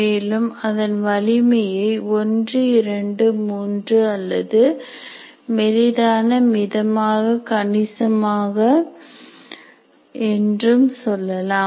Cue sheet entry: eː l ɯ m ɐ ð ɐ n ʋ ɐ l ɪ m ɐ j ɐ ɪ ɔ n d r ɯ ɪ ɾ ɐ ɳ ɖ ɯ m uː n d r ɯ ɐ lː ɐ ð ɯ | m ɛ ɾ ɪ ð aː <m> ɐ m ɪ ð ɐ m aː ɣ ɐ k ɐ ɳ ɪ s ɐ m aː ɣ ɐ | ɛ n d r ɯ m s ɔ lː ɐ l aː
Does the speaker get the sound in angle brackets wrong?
yes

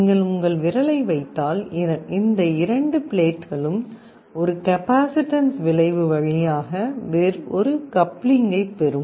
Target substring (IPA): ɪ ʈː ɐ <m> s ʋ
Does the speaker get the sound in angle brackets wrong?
yes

